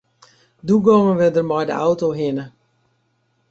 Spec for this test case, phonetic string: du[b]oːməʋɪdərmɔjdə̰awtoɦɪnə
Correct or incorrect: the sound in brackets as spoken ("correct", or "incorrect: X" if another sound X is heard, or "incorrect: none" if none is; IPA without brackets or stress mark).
incorrect: ɡ